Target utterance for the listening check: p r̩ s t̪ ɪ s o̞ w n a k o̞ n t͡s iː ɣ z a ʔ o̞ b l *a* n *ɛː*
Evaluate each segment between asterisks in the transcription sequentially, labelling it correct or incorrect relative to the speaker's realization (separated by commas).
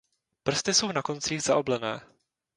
incorrect, correct